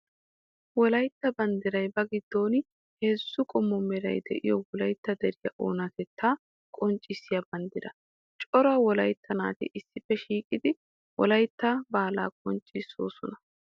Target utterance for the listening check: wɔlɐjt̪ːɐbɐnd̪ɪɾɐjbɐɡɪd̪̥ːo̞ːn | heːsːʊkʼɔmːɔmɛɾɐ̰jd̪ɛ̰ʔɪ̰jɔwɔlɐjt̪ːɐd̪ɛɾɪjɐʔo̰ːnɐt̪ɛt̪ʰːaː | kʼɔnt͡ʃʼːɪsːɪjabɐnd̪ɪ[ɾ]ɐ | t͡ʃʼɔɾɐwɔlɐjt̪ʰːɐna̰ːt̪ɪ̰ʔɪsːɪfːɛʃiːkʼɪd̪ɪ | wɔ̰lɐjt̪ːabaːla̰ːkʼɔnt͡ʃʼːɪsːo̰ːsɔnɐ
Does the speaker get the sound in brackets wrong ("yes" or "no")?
no